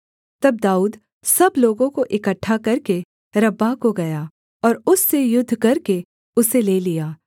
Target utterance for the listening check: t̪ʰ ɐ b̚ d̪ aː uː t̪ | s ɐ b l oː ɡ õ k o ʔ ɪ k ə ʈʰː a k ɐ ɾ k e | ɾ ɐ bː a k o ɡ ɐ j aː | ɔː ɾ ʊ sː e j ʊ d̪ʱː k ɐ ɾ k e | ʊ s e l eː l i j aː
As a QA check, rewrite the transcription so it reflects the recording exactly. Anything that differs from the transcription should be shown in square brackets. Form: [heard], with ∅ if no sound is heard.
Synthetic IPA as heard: [t̪] ɐ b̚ d̪ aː uː [d̪] | s ɐ b l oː ɡ õ k o ʔ ɪ k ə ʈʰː a k ɐ ɾ k e | ɾ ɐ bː a k o ɡ ɐ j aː | ɔː ɾ ʊ sː e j ʊ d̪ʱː k ɐ ɾ k e | ʊ s e l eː l i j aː